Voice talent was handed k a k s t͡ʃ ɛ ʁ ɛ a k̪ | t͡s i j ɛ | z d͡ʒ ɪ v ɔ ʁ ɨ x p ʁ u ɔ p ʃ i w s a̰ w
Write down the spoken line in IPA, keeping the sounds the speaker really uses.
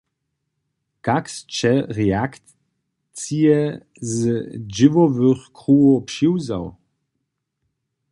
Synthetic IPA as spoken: k a k s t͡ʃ ɛ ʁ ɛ a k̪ | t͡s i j ɛ | z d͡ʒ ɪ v ɔ v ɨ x k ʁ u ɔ p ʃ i w z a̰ w